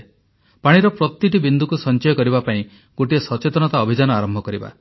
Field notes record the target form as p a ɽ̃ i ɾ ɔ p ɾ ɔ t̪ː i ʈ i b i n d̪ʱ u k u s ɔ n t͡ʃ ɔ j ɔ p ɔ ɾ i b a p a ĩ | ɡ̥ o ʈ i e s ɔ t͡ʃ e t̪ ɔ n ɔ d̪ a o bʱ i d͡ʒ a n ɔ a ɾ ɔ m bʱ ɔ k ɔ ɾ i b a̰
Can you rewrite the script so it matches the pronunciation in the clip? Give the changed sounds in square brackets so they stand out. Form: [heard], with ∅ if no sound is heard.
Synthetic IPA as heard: p a ɽ̃ i ɾ ɔ p ɾ ɔ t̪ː i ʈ i b i n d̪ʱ u k u s ɔ n t͡ʃ ɔ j ɔ [k] ɔ ɾ i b a p a ĩ | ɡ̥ o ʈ i e s ɔ t͡ʃ e t̪ ɔ n ɔ [t̪] a [ɔ] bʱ i d͡ʒ a n ɔ a ɾ ɔ m bʱ ɔ k ɔ ɾ i b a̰